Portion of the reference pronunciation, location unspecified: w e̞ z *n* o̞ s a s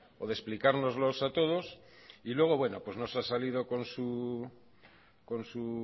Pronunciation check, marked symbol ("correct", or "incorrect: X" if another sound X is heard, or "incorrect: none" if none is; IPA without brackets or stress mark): correct